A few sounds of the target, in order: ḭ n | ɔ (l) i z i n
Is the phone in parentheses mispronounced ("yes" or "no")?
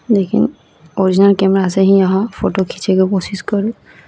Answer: yes